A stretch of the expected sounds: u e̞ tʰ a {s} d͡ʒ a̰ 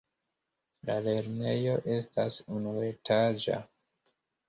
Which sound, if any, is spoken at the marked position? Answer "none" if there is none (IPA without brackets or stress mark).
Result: none